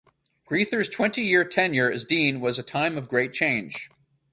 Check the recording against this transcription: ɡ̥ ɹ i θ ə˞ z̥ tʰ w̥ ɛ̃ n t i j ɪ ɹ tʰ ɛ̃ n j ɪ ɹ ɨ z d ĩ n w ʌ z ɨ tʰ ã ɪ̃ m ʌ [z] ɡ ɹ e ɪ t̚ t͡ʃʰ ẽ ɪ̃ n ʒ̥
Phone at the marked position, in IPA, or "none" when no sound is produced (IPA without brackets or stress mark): v